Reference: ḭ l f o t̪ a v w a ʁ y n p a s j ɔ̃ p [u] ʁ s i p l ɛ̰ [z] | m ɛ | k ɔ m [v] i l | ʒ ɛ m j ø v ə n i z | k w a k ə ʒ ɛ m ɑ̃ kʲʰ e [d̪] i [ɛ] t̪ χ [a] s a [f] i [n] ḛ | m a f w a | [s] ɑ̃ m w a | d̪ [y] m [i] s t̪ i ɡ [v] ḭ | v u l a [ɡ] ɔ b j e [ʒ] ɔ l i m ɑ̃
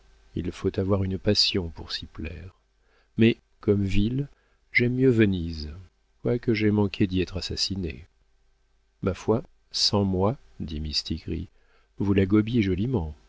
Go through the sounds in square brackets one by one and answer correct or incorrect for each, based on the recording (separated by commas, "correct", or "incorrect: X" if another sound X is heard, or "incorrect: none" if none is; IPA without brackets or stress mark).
correct, incorrect: ʁ, correct, correct, correct, correct, incorrect: s, correct, correct, incorrect: i, correct, incorrect: ʁ, correct, correct